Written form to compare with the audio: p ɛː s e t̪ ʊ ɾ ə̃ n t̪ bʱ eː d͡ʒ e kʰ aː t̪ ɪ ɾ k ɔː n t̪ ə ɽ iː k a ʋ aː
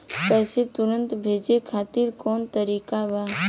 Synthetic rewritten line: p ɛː s e t̪ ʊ ɾ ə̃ n t̪ bʱ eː d͡ʒ e kʰ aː t̪ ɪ ɾ k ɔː n t̪ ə ɾ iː k a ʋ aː